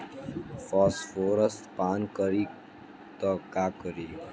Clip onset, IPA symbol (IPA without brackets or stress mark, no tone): f